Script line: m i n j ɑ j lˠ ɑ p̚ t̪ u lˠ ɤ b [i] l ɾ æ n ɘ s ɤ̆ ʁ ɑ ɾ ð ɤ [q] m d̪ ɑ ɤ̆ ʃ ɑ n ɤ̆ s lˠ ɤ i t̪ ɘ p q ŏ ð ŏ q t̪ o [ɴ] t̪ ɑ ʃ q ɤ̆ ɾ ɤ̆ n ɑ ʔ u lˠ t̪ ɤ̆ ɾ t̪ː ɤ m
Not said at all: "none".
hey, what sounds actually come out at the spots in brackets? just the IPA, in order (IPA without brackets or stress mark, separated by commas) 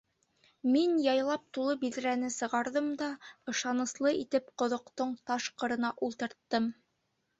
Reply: i, none, ɴ